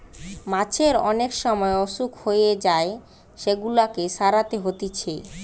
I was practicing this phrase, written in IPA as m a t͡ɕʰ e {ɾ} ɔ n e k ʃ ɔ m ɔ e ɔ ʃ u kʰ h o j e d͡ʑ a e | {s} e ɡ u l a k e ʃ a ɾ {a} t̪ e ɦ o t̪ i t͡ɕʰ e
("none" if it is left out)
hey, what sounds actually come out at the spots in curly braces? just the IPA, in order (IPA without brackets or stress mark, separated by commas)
ɾ, ʃ, a